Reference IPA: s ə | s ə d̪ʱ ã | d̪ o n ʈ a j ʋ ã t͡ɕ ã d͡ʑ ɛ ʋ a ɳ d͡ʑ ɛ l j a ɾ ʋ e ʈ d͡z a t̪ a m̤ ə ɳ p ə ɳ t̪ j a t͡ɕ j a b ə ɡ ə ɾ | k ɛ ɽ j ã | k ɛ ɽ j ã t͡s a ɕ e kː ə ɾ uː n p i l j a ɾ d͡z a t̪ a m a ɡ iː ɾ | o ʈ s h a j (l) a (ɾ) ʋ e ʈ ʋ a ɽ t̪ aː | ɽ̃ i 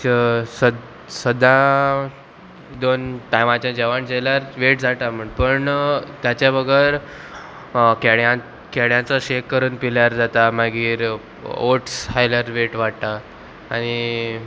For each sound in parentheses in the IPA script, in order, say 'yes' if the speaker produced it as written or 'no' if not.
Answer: yes, yes

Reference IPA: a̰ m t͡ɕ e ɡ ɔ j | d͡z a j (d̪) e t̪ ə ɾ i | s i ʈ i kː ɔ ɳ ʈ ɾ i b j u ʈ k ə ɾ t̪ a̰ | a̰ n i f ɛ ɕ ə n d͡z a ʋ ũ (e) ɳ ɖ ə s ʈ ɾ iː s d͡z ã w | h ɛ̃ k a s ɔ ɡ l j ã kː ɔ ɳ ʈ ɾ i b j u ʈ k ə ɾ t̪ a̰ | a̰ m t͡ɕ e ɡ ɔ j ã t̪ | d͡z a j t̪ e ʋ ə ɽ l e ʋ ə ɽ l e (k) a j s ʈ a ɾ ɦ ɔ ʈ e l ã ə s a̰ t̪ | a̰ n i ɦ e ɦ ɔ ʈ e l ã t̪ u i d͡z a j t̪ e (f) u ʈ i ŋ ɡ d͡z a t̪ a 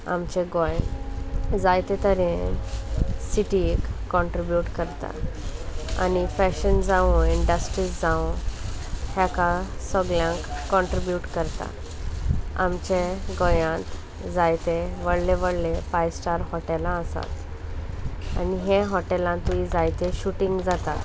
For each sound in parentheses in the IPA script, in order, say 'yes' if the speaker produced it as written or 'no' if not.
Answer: no, no, no, no

